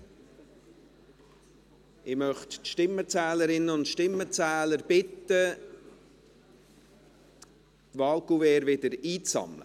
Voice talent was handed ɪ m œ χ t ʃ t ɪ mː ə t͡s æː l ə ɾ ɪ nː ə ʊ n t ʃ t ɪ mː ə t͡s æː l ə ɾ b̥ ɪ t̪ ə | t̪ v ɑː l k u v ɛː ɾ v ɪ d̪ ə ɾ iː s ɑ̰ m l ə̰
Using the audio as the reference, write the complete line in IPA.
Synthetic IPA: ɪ m œ χ t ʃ t ɪ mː ə t͡s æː l ə ɾ ɪ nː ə ʊ n t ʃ t ɪ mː ə t͡s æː l ə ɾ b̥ ɪ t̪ ə | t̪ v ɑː l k u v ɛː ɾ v ɪ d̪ ə ɾ iː t͡s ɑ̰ m l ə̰